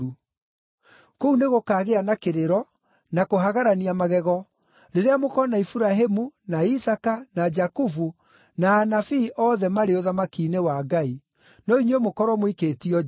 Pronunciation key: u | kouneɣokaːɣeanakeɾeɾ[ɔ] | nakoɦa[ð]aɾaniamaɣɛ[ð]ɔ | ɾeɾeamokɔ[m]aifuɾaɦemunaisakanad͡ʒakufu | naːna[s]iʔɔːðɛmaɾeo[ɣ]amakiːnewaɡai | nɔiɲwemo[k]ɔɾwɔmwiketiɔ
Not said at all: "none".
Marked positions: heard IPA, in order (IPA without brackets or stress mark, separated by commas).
ɔ, ɣ, ɣ, n, f, ð, k